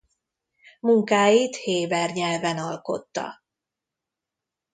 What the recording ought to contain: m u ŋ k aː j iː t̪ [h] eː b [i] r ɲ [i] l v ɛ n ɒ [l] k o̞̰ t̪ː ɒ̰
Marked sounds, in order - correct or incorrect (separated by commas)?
correct, incorrect, incorrect, correct